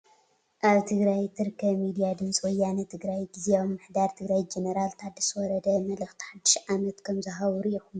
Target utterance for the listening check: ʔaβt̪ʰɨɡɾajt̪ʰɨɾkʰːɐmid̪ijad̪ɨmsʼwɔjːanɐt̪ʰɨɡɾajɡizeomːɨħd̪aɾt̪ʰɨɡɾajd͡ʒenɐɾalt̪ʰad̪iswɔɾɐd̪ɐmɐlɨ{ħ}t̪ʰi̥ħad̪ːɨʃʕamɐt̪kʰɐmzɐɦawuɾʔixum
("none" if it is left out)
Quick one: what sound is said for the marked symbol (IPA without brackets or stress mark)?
x